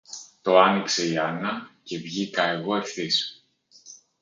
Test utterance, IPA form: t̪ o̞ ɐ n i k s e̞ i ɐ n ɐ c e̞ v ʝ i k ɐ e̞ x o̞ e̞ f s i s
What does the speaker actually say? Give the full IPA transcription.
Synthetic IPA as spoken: t̪ o̞ ɐ n i k s e̞ i ɐ n ɐ c e̞ v ʝ i k ɐ e̞ ɣ o̞ e̞ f θ i s